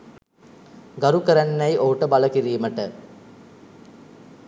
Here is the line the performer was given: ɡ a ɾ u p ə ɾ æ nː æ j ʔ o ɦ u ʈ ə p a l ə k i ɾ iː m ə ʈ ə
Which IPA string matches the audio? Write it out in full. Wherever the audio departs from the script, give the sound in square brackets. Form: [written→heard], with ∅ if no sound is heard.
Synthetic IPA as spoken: ɡ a ɾ u [p→k] ə ɾ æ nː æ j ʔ o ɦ u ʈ ə [p→b] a l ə k i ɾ iː m ə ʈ ə